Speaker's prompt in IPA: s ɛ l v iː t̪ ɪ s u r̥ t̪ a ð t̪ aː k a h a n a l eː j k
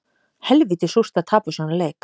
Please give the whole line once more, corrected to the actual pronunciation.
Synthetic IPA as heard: h ɛ l v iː t̪ ɪ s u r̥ t̪ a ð t̪ʰ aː p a s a n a l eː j k